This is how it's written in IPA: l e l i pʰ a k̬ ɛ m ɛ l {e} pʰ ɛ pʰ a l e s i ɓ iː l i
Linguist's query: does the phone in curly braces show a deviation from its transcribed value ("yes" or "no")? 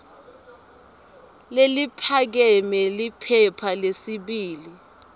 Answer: yes